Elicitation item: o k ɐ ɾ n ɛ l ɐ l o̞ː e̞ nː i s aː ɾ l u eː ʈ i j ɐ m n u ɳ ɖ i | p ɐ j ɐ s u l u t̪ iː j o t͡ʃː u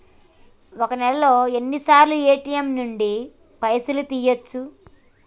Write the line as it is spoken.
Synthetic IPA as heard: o k ɐ n ɛ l ɐ l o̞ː e̞ nː i s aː ɾ l u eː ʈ i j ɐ m n u ɳ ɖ i | p ɐ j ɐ s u l u t̪ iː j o t͡ʃː u